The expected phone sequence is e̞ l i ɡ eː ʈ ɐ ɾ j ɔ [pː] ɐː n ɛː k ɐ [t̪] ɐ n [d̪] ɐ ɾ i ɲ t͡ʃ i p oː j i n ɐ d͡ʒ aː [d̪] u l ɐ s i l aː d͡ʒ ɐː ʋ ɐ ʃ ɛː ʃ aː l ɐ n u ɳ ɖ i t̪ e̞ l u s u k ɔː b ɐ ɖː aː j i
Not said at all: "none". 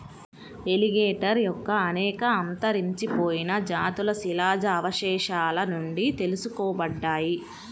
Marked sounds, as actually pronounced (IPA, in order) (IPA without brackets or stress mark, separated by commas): kː, none, t̪, t̪